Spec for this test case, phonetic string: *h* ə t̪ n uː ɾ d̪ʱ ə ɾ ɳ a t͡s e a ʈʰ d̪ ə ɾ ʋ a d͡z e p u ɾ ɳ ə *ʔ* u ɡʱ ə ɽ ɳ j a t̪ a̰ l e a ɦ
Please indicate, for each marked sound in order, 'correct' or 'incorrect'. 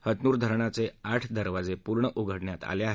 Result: correct, correct

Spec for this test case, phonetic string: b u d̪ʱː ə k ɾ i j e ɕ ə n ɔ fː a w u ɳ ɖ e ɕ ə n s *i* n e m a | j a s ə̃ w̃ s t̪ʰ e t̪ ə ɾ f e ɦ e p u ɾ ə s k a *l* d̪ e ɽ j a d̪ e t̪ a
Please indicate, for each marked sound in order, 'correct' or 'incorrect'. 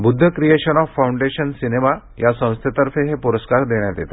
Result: correct, incorrect

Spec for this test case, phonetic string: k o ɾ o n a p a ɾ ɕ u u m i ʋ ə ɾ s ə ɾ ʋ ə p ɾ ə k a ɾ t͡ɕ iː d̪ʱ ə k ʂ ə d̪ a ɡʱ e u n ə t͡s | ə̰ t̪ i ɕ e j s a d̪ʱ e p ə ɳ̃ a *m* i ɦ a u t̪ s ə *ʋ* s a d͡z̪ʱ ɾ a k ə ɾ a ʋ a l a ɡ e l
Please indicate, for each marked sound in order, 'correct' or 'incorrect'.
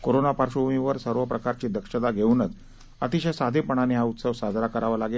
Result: incorrect, correct

